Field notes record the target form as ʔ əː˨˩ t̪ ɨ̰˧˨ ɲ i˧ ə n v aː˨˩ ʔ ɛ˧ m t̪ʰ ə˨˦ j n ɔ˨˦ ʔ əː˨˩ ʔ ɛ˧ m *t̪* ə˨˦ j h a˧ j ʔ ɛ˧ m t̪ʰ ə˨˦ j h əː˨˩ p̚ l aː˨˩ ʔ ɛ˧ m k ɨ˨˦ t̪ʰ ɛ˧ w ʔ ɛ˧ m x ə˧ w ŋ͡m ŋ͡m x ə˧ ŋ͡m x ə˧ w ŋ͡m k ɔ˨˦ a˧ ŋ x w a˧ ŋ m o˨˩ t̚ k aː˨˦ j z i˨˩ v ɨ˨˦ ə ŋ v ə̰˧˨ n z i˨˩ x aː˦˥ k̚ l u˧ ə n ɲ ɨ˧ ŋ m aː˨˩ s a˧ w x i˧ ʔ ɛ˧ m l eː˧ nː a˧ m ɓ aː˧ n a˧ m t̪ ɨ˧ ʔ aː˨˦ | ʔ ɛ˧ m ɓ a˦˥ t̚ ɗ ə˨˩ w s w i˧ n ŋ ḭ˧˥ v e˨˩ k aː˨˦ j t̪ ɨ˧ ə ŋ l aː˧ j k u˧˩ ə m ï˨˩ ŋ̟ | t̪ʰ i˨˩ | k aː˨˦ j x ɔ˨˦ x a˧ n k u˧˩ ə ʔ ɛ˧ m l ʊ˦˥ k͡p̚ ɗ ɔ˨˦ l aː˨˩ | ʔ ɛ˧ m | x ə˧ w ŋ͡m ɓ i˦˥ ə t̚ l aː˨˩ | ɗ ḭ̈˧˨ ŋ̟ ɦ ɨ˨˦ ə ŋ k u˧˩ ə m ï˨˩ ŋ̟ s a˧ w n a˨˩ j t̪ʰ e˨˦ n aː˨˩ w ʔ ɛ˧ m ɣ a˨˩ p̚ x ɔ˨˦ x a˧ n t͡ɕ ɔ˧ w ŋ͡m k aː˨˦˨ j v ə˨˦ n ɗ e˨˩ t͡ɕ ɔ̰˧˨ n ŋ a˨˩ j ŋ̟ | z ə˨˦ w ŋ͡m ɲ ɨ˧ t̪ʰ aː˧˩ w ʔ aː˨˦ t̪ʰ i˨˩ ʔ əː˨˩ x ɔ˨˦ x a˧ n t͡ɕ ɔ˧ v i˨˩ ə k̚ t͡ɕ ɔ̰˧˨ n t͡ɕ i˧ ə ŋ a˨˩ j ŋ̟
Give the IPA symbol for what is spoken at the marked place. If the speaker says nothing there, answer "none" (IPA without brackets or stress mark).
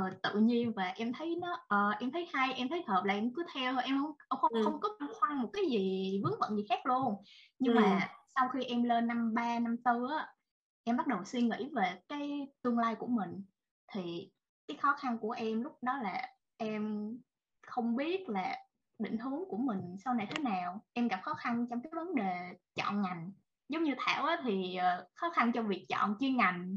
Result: t̪ʰ